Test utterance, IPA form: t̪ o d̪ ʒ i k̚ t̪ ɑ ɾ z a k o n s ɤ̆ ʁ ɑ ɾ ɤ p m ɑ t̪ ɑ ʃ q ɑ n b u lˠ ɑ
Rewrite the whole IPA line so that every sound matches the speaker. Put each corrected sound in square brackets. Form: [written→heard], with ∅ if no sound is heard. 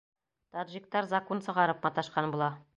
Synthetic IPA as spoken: t̪ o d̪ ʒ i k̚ t̪ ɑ ɾ z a k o n s ɤ̆ ʁ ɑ ɾ ɤ p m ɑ t̪ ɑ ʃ q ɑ n b u lˠ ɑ